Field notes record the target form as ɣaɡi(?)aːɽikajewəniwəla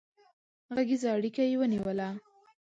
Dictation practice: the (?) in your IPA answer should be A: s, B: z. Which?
B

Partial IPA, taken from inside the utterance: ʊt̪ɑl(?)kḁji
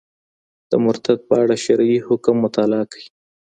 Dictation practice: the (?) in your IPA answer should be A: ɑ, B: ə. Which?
A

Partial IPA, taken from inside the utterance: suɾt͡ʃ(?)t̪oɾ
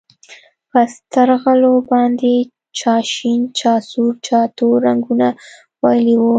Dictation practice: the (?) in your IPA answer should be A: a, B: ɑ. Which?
B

